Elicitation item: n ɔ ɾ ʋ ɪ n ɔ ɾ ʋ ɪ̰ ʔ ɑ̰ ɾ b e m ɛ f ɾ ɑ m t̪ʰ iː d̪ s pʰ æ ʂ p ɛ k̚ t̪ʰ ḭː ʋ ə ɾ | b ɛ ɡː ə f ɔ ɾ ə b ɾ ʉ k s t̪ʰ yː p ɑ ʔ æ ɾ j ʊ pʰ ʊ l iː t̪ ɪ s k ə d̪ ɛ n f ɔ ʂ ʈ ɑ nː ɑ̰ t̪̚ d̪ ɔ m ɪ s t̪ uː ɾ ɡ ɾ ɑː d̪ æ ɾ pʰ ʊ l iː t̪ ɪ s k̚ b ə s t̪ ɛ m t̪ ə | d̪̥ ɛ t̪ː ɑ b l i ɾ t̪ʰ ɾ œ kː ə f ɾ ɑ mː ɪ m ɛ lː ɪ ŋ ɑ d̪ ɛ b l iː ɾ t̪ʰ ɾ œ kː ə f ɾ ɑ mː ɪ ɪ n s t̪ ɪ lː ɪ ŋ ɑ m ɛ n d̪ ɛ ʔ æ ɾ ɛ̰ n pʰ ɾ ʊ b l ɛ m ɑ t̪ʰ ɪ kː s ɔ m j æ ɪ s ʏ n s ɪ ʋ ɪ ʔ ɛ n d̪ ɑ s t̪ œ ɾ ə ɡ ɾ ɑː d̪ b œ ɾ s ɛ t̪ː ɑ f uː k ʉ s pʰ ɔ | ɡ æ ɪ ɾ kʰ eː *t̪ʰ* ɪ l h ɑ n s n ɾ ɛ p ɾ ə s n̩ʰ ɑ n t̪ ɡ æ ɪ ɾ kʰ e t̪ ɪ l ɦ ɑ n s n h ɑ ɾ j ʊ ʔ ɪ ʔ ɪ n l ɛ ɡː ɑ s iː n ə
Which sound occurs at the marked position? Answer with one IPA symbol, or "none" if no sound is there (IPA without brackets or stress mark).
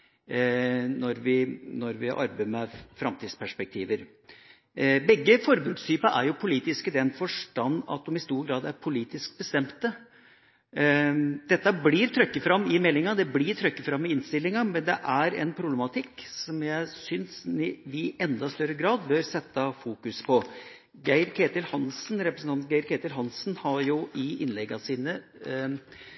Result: t̪